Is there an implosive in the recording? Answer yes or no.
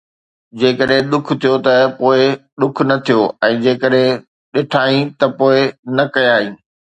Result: yes